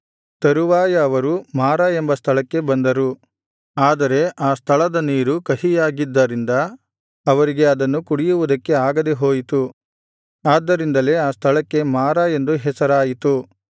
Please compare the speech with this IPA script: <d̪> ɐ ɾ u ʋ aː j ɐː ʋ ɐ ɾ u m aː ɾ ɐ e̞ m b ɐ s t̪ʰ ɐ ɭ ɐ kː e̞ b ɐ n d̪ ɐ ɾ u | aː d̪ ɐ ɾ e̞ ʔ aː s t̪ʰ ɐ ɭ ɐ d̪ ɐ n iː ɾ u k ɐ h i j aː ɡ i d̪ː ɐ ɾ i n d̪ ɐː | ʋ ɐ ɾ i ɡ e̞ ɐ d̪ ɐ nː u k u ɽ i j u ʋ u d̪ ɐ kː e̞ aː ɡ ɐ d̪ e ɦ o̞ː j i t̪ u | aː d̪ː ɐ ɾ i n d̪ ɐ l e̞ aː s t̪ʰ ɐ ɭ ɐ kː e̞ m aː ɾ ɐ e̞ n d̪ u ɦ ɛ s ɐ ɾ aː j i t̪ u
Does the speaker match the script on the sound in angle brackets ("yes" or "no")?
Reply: no